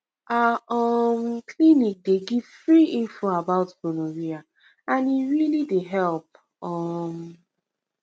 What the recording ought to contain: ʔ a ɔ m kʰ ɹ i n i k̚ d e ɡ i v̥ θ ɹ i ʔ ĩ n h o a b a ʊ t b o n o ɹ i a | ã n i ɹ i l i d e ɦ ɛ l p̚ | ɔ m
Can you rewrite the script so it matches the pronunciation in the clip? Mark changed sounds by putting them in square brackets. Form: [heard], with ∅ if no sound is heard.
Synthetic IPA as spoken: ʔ a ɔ m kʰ [l] i n i k̚ d e ɡ i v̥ [f] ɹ i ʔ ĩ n [f] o a b a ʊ t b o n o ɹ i a | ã n i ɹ i l i d e ɦ ɛ l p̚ | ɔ m